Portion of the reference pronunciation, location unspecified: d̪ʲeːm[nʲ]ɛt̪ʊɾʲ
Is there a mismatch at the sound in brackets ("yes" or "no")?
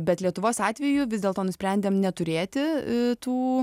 no